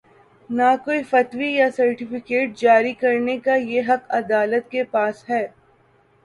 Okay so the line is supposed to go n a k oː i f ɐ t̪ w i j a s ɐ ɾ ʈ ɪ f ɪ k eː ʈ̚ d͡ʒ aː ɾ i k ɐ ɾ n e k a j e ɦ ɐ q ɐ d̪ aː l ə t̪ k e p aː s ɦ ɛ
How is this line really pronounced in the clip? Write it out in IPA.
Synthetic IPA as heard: n a k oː i f ɐ t̪ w i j a s ɐ ɾ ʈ ɪ f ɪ k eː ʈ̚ d͡ʒ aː ɾ i k ɐ ɾ n e k a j e ɦ ɐ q ɐ d̪ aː l ə t̪ k e p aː s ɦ ɛː